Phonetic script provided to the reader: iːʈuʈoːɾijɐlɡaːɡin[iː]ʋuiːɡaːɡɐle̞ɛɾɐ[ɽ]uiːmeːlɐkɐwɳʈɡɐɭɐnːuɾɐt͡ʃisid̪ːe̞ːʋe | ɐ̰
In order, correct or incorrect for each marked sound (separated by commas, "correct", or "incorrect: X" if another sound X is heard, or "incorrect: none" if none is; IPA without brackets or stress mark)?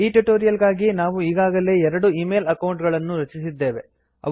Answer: incorrect: aː, correct